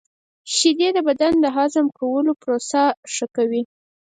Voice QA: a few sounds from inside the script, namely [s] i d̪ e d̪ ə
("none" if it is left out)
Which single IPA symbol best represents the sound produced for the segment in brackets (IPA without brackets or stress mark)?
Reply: ʃ